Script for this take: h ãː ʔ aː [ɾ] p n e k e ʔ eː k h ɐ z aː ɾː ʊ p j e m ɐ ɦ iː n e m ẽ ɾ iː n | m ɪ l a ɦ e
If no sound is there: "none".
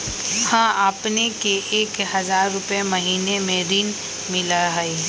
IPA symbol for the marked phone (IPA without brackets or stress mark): none